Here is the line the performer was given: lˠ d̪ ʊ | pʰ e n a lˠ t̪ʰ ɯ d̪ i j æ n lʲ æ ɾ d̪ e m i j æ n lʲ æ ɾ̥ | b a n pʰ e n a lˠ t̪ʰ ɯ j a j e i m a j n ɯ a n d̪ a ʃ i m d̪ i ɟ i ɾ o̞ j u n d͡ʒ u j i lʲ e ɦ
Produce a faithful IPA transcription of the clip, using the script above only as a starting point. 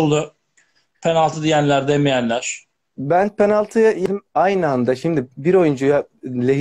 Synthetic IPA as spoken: lˠ d̪ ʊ | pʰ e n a lˠ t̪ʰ ɯ d̪ i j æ n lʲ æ ɾ d̪ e m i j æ n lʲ æ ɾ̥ | b æ n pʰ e n a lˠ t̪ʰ ɯ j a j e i m a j n ɯ a n d̪ a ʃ i m d̪ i b i ɾ o̞ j u n d͡ʒ u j a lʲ e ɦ